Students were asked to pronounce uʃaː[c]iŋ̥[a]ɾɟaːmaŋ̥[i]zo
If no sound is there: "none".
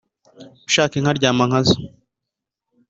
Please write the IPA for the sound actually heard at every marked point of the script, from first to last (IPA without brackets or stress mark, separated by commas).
k, a, a